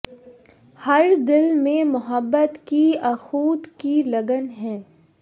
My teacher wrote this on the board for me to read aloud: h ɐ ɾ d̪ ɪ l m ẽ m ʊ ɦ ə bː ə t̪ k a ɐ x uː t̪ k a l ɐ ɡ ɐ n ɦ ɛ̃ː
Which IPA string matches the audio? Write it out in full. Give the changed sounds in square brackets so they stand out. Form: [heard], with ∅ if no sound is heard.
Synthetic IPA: h ɐ ɾ d̪ ɪ l m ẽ m ʊ ɦ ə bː ə t̪ k [i] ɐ x uː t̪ k [i] l ɐ ɡ [ə] n ɦ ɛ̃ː

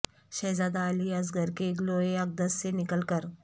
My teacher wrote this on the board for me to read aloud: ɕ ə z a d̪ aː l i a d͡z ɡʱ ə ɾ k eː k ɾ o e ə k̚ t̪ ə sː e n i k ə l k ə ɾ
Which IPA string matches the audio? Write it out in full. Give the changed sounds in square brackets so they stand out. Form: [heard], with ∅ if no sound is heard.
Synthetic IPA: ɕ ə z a d̪ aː l i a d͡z ɡʱ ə ɾ k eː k [l] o e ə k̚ [d̪] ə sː e n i k ə l k ə ɾ

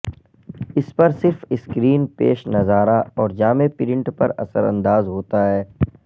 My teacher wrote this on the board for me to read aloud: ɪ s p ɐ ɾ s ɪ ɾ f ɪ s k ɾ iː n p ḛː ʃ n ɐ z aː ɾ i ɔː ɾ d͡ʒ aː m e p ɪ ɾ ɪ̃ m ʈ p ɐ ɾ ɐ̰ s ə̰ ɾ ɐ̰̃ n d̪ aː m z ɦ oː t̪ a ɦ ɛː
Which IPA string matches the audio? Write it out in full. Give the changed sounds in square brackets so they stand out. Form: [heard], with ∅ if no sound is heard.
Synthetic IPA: ɪ s p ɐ ɾ s ɪ ɾ f ɪ s k ɾ iː n p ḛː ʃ n ɐ z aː ɾ [a] ɔː ɾ d͡ʒ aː m e p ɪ ɾ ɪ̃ [ɳ] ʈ p ɐ ɾ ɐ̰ s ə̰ ɾ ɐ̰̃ n d̪ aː [∅] z ɦ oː t̪ a ɦ ɛː

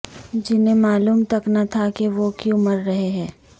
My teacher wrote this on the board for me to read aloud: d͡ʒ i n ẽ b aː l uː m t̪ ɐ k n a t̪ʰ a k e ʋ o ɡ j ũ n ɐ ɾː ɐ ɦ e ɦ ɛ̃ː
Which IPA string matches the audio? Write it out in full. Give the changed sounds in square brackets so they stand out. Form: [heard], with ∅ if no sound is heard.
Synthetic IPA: d͡ʒ [ɪ] n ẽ [m] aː l uː m t̪ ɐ k n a t̪ʰ a k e ʋ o [k] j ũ [m] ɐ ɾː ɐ ɦ e ɦ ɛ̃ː

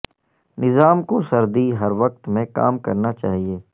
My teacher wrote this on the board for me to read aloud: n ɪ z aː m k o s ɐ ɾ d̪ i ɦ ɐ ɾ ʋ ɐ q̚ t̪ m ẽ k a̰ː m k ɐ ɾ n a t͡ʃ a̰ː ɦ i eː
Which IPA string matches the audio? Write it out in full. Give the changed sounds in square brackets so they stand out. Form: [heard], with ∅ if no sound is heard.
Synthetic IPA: n ɪ z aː m k o s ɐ ɾ d̪ i ɦ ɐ ɾ ʋ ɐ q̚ t̪ m ẽ k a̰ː m k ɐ ɾ n a t͡ʃ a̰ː ɦ i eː

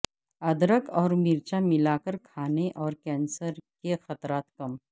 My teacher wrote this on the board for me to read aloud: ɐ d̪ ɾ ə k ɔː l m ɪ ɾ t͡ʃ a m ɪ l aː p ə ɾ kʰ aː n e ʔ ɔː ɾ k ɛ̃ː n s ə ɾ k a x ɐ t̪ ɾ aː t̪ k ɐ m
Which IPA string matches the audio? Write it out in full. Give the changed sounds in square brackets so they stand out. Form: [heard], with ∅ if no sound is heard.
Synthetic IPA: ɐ d̪ ɾ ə k ɔː [ɾ] m ɪ ɾ t͡ʃ a m ɪ l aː [k] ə ɾ kʰ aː n e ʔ ɔː ɾ k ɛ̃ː n s ə ɾ k [e] x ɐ t̪ ɾ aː t̪ k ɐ m

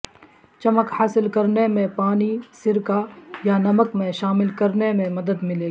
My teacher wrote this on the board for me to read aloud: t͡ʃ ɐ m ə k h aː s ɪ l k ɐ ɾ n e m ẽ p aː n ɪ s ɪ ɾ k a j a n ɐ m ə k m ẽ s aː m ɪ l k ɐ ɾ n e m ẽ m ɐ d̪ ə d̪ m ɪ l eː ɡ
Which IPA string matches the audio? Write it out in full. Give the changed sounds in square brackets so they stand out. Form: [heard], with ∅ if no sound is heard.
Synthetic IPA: t͡ʃ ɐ m ə k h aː s ɪ l k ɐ ɾ n e m ẽ p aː n [i] s ɪ ɾ k a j a n ɐ m ə k m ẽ [ʃ] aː m ɪ l k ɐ ɾ n e m ẽ m ɐ d̪ ə d̪ m ɪ l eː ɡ

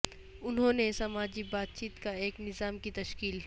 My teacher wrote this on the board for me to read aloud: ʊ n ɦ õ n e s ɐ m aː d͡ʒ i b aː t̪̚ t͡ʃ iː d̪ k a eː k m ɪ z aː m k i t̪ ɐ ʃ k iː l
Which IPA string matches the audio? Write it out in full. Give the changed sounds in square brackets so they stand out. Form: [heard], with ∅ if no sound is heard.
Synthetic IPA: ʊ n ɦ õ n e s ɐ m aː d͡ʒ i b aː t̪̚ t͡ʃ iː [t̪] k a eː k [n] ɪ z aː m k i t̪ ɐ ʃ k iː l

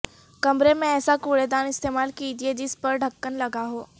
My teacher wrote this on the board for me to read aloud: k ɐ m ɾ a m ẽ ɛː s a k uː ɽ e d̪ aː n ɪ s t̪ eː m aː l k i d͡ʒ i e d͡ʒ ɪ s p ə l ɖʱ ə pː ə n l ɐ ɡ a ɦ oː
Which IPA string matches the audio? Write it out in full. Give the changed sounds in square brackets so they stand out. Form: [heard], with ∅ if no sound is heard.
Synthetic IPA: k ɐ m ɾ [e] m ẽ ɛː s a k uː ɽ e d̪ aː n ɪ s t̪ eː m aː l k i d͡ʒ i e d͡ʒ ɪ s p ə [ɾ] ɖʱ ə [kː] ə n l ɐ ɡ a ɦ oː

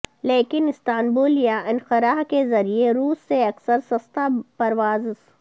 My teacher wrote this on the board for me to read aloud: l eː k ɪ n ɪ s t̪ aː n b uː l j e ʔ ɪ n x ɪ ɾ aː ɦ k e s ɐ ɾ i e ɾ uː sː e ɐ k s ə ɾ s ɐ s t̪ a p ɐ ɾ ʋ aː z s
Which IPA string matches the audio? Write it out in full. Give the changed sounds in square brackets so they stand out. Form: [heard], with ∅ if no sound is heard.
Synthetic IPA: l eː k ɪ n ɪ s t̪ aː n b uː l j [a] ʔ ɪ n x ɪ ɾ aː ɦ k e [z] ɐ ɾ i e ɾ uː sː e ɐ k s ə ɾ s ɐ s t̪ a p ɐ ɾ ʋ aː z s

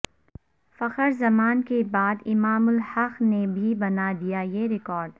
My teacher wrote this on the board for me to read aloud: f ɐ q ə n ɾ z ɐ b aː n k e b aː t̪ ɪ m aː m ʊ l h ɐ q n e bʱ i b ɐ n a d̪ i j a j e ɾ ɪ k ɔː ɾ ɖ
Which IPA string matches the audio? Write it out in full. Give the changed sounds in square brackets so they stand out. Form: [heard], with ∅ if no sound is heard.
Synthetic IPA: f ɐ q ə [∅] ɾ z ɐ [m] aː n k e b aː [d̪] ɪ m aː m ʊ l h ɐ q n e bʱ i b ɐ n a d̪ i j a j e ɾ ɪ k ɔː ɾ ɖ

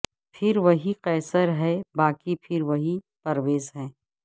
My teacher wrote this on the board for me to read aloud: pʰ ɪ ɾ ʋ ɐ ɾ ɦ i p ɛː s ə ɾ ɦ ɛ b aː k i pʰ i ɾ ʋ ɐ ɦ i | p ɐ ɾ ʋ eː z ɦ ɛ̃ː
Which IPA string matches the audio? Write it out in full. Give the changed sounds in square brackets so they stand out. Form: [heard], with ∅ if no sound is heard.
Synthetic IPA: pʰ ɪ ɾ ʋ ɐ [∅] ɦ i [q] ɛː s ə ɾ ɦ ɛ b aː k i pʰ [ɪ] ɾ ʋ ɐ ɦ i | p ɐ ɾ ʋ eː z ɦ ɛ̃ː

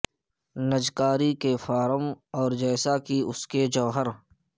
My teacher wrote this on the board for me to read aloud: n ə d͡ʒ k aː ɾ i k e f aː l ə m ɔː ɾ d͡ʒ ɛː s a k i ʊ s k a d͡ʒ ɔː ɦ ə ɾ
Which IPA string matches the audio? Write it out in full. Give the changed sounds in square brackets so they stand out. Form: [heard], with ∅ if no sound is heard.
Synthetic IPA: n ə d͡ʒ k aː ɾ i k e f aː [ɾ] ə m ɔː ɾ d͡ʒ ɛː s a k i ʊ s k [e] d͡ʒ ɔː ɦ ə ɾ

